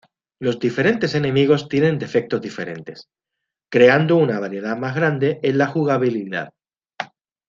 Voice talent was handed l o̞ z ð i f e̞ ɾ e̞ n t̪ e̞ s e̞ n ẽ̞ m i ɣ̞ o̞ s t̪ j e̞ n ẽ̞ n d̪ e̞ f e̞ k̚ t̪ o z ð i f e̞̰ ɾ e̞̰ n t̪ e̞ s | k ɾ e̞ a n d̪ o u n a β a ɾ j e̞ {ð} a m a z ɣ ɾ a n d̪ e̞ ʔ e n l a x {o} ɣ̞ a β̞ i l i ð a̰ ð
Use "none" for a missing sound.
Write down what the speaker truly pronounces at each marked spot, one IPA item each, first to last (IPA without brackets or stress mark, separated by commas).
ð, u